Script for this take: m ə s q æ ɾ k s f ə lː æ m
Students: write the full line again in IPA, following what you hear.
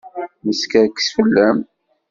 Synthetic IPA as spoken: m ə s k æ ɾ k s f ə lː æ m